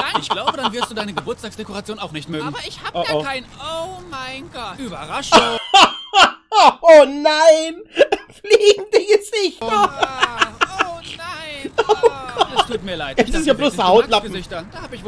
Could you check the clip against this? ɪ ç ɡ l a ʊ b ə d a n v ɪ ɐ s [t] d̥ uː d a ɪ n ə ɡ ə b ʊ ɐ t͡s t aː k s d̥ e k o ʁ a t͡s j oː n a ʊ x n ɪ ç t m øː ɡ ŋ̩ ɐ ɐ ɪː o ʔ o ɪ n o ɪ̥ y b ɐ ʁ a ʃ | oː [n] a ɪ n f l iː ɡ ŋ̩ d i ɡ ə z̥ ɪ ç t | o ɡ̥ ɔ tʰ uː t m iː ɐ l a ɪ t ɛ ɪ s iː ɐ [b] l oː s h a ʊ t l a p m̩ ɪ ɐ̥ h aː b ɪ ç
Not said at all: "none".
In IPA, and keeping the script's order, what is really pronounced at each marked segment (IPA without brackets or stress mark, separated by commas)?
t, n, b